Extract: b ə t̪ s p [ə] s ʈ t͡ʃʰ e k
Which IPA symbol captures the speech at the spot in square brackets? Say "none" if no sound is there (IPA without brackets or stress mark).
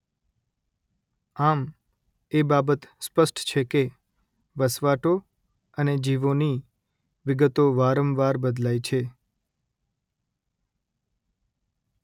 ə